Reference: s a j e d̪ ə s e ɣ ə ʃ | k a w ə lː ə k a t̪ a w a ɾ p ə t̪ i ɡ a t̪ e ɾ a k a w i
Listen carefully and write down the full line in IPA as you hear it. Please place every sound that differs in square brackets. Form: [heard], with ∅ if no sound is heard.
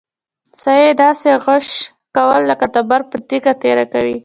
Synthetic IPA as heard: s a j e d̪ [ɑ] s e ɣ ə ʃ | k a w ə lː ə k a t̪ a [b] a ɾ p ə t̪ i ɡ a t̪ e ɾ a k a w i